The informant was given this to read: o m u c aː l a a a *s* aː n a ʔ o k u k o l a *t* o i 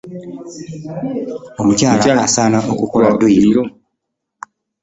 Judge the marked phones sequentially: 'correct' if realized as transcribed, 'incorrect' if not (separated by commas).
correct, incorrect